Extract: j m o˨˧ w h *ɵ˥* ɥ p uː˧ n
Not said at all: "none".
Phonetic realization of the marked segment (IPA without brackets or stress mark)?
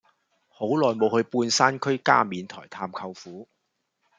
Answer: ɵ˧